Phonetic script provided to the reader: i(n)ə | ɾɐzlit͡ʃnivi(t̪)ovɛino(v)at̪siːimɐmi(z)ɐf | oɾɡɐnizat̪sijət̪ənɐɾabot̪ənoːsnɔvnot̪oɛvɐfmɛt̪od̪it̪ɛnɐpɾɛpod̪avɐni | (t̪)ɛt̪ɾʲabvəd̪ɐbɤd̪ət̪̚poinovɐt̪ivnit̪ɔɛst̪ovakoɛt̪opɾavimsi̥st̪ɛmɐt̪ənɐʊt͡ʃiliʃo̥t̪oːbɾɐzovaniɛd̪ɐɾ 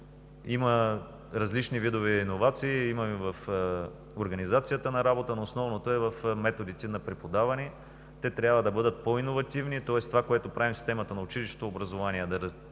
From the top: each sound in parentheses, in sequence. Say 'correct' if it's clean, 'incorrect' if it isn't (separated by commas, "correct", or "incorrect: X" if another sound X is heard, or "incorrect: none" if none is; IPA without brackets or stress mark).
incorrect: m, incorrect: d̪, correct, incorrect: v, correct